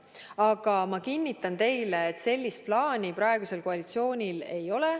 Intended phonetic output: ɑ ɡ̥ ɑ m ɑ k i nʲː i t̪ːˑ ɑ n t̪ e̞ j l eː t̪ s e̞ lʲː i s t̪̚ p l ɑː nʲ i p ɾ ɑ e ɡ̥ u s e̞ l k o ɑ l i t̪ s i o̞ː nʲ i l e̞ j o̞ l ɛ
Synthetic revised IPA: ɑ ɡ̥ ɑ m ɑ k i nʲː i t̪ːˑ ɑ n t̪ e̞ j l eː t̪ s e̞ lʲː i s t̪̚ p l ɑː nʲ i p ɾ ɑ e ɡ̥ u s e̞ l k o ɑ l i t̪ s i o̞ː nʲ i l e̞ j o̞ l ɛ